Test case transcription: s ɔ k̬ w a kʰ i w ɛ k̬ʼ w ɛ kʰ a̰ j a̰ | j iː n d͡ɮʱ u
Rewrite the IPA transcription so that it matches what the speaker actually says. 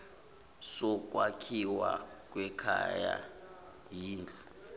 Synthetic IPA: s ɔ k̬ w a kʰ i w a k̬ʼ w ɛ kʰ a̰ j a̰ | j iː n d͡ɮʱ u